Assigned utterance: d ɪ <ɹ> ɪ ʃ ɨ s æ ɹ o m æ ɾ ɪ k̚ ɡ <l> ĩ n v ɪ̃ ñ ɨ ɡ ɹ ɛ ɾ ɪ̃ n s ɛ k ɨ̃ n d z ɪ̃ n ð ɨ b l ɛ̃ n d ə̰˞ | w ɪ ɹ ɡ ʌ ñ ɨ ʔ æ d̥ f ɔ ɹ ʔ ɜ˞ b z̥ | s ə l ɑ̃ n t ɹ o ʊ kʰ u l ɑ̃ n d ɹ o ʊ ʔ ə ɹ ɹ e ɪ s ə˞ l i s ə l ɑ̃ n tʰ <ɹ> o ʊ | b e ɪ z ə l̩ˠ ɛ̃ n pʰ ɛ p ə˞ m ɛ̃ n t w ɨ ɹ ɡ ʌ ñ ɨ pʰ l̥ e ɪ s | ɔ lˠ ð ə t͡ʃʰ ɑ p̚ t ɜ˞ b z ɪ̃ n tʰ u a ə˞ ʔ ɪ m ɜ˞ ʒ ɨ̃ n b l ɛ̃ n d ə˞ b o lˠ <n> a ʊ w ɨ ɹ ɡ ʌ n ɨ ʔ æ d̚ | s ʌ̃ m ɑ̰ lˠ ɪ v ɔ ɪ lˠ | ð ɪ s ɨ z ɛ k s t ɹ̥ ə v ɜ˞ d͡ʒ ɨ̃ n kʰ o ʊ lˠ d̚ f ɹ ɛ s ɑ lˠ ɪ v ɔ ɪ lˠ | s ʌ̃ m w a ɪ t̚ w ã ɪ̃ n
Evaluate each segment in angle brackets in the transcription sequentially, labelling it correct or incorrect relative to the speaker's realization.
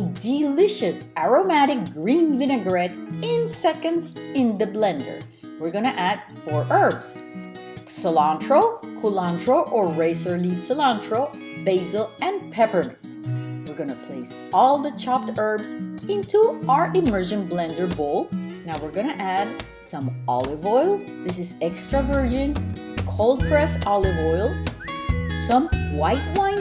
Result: incorrect: l, incorrect: ɹ, correct, correct

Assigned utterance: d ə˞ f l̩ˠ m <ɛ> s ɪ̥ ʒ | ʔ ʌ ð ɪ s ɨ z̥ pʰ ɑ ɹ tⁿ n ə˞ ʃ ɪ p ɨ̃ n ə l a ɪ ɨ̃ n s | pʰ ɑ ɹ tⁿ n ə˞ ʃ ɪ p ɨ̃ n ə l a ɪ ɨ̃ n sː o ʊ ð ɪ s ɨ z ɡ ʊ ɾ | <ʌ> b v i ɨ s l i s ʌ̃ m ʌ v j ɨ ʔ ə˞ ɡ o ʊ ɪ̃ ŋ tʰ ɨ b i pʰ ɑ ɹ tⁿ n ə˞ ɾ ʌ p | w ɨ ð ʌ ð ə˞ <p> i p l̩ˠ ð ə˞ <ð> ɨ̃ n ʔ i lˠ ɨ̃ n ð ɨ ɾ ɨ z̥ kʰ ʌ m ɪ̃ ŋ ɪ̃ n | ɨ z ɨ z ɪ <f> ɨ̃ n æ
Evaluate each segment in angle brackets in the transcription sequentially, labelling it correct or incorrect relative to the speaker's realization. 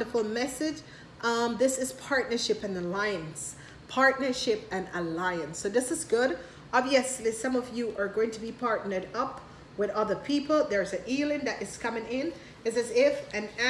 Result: correct, incorrect: ɑ, incorrect: pʰ, incorrect: z, correct

